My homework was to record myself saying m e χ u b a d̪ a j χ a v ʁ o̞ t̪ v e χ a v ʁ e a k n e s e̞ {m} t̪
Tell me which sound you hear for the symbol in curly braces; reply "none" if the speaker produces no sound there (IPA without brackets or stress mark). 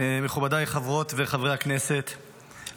none